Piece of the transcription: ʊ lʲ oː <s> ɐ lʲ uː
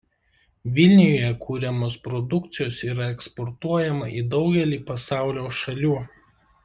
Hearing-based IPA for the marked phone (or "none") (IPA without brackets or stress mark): ʃ